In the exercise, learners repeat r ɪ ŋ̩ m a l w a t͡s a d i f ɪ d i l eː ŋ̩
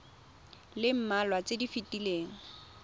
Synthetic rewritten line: l ɪ m̩ m a l w a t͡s e d i f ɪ t i l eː ŋ̩